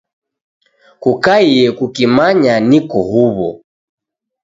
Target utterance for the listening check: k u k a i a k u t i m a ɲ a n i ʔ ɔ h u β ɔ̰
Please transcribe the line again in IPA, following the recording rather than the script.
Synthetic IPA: k u k a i ɛ k u k i m a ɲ a n i k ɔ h u β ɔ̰